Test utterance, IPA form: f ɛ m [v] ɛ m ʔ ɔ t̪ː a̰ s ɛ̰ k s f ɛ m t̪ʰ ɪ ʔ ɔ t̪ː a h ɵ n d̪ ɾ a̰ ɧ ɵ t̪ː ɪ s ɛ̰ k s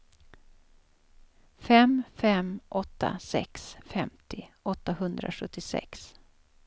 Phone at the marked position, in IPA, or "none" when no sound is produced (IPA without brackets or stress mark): f